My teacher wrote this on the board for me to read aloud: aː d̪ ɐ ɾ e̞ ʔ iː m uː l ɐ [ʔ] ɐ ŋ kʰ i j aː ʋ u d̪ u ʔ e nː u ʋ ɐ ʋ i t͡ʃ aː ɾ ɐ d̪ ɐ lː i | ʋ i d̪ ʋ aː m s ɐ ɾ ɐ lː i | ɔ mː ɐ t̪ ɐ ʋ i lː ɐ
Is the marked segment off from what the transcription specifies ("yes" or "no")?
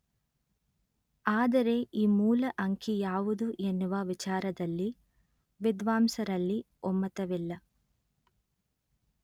no